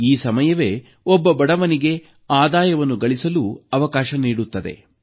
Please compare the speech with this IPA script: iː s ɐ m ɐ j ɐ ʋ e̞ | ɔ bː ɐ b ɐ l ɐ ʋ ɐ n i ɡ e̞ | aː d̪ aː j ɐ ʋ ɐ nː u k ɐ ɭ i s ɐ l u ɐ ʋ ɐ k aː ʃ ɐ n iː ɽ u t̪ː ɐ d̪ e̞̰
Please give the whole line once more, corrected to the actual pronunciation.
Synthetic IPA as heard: iː s ɐ m ɐ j ɐ ʋ e̞ | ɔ bː ɐ b ɐ ɽ ɐ ʋ ɐ n i ɡ e̞ | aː d̪ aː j ɐ ʋ ɐ nː u ɡ ɐ ɭ i s ɐ l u ɐ ʋ ɐ k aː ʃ ɐ n iː ɽ u t̪ː ɐ d̪ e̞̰